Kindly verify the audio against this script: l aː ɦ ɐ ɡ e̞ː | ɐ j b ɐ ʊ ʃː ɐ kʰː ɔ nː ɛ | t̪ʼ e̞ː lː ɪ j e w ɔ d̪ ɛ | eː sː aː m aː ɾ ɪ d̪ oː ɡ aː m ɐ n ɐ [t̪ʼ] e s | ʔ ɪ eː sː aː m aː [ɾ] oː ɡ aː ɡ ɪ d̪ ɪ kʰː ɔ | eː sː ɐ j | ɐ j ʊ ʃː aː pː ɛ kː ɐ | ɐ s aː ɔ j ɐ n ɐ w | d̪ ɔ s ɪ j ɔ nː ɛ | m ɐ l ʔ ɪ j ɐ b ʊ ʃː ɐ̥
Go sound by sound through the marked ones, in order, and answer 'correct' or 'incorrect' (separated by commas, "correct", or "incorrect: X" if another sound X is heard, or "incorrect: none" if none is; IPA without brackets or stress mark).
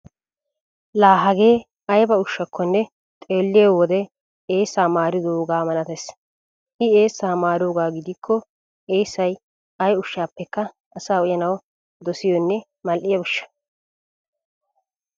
incorrect: t̪, correct